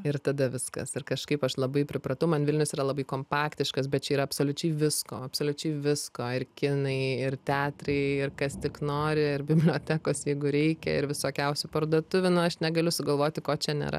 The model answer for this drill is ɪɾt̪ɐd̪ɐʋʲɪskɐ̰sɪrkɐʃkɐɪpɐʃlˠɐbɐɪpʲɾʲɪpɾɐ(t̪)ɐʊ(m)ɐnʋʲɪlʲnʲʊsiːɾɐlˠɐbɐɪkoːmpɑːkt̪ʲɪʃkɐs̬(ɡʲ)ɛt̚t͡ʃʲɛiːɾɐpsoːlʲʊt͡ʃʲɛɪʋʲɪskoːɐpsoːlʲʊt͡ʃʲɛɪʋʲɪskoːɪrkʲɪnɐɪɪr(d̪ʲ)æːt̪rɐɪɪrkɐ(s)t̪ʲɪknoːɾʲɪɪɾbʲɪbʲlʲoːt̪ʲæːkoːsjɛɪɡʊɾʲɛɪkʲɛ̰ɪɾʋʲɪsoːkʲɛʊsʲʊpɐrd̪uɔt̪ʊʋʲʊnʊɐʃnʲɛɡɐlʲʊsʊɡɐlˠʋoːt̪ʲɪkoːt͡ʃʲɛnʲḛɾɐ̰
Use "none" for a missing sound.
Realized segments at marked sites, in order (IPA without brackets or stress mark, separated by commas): t̪, m, bʲ, t̪ʲ, s